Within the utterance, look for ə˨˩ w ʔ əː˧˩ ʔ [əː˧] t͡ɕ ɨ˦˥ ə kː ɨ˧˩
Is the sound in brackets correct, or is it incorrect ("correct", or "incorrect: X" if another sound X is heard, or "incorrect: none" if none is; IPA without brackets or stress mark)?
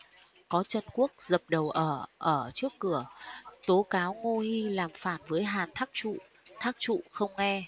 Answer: incorrect: əː˧˩